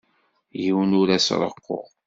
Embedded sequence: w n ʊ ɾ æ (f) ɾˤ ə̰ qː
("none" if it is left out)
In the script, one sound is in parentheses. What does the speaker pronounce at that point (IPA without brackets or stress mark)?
s